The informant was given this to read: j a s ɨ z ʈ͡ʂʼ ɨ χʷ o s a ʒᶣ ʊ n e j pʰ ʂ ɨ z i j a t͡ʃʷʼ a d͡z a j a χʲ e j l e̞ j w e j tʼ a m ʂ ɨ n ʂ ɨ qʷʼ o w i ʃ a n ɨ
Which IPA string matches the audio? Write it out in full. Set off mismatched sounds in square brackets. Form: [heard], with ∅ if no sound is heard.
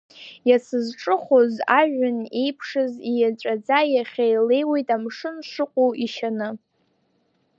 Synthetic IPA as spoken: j a s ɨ z ʈ͡ʂʼ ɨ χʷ o [z] a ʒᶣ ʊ n e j pʰ ʂ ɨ z i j a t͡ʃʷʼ a d͡z a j a χʲ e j l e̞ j w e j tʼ a m ʂ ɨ n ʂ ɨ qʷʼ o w i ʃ a n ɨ

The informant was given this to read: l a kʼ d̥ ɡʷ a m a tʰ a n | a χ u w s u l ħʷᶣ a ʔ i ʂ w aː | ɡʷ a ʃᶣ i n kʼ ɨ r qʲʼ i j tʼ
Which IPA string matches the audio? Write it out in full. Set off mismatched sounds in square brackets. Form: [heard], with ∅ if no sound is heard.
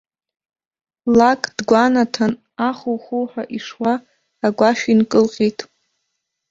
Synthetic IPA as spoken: l a kʼ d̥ ɡʷ a [n] a tʰ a n | a χ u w [χ] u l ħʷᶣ a ʔ i ʂ w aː | ɡʷ a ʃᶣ i n kʼ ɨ [l] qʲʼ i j tʼ

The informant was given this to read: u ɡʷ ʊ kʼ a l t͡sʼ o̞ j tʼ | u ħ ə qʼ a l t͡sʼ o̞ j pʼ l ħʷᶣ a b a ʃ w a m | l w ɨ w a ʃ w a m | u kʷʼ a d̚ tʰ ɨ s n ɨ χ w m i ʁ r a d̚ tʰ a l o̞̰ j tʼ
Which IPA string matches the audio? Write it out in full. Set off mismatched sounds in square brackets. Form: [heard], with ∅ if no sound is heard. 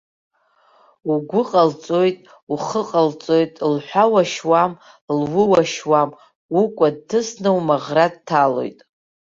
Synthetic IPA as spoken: u ɡʷ ʊ [qʼ] a l t͡sʼ o̞ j tʼ | u [χ] ə qʼ a l t͡sʼ o̞ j [tʼ] l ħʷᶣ a [w] a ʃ w a m | l w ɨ w a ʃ w a m | u kʷʼ a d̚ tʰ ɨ s n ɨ [∅] w m [a] ʁ r a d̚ tʰ a l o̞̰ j tʼ

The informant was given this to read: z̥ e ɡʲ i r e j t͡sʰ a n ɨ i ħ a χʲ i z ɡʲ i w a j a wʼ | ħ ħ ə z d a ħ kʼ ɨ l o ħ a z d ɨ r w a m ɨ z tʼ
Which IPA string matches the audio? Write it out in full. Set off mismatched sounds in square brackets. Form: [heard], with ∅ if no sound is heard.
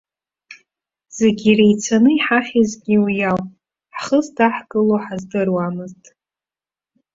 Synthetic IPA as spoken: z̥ e ɡʲ i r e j t͡sʰ a n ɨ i ħ a χʲ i z ɡʲ i w [i] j a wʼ | ħ [χ] ə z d a ħ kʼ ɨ l o ħ a z d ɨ r w a m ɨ z tʼ

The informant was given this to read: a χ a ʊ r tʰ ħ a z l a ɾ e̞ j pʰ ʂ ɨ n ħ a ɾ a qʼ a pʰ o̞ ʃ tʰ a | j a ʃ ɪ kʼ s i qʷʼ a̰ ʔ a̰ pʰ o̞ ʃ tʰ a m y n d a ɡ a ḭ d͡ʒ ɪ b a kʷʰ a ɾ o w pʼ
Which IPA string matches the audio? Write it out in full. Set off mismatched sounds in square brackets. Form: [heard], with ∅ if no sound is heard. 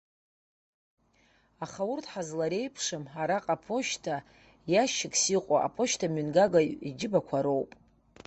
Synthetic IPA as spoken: a χ a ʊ r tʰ ħ a z l a ɾ e̞ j pʰ ʂ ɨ [m] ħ a ɾ a qʼ a pʰ o̞ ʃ tʰ a | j a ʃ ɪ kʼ s i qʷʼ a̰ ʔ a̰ pʰ o̞ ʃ tʰ a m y n [ɡ] a ɡ a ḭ d͡ʒ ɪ b a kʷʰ a ɾ o w pʼ

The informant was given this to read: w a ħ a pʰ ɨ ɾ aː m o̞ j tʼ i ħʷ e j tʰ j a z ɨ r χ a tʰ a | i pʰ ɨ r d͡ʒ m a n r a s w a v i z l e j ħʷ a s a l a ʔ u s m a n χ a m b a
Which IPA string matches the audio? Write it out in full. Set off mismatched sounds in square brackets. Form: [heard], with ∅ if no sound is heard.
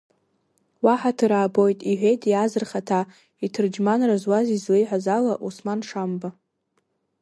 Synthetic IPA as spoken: w a ħ a [tʰ] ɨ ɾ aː [b] o̞ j tʼ i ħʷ e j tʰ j a z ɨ r χ a tʰ a | i [tʰ] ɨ r d͡ʒ m a n r a [z] w a [z] i z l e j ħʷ a [z] a l a ʔ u s m a n [ʂ] a m b a

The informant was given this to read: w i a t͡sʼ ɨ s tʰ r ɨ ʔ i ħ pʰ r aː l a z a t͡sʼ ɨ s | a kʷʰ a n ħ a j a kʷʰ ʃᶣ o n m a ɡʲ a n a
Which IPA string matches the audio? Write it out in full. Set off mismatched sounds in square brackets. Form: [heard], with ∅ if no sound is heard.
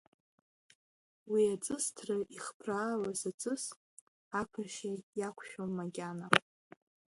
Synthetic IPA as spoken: w i a t͡sʼ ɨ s tʰ r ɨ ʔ i [χ] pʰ r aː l a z a t͡sʼ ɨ s | a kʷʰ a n [ʃ] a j a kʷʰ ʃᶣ o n m a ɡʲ a n a

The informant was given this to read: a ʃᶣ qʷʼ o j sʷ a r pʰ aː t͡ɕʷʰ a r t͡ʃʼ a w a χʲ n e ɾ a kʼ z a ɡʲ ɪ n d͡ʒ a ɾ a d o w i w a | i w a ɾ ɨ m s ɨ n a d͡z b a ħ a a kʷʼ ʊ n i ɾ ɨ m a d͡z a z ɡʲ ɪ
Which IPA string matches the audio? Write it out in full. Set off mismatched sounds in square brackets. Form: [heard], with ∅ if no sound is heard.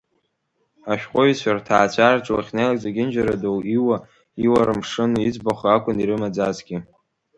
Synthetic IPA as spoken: a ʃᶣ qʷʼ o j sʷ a r [tʰ] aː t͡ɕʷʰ a r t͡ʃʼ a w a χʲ n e [l] a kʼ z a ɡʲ ɪ n d͡ʒ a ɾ a d o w i w a | i w a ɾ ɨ m [ʂ] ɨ n [i] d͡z b a [χ] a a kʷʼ ʊ n i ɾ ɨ m a d͡z a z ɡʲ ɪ

